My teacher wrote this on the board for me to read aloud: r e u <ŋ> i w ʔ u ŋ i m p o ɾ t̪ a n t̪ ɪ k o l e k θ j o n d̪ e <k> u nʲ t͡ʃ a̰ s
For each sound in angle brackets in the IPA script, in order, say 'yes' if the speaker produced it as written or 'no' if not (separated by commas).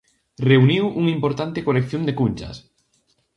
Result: no, yes